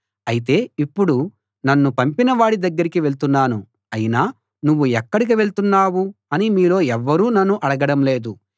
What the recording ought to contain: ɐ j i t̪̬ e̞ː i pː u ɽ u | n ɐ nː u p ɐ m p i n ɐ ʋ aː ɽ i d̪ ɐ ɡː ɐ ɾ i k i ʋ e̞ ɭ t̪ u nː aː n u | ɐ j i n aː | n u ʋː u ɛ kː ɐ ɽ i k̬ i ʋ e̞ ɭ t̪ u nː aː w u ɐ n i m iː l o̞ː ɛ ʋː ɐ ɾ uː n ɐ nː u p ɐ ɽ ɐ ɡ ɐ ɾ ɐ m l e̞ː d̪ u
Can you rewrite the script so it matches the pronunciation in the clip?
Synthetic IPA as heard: ɐ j i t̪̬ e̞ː i pː u ɽ u | n ɐ nː u p ɐ m p i n ɐ ʋ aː ɽ i d̪ ɐ ɡː ɐ ɾ i k i ʋ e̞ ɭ t̪ u nː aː n u | ɐ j i n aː | n u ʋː u ɛ kː ɐ ɽ i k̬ i ʋ e̞ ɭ t̪ u nː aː w u ɐ n i m iː l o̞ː ɛ ʋː ɐ ɾ uː n ɐ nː u ʔ ɐ ɽ ɐ ɡ ɐ ɽ ɐ m l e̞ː d̪ u